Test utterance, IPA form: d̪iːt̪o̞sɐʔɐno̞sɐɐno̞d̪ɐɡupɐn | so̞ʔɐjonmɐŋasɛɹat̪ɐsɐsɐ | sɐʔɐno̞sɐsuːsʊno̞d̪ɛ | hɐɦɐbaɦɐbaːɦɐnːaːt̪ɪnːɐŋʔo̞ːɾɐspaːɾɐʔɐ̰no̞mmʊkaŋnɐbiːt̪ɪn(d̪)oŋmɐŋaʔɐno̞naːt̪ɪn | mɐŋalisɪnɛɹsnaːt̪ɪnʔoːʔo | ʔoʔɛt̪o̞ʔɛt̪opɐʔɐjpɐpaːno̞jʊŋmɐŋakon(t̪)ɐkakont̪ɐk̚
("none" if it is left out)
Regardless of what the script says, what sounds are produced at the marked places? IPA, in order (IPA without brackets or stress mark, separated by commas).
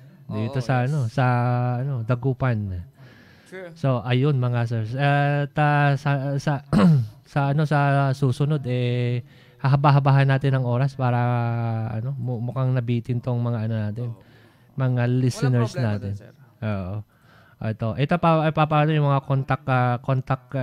t̪, t̪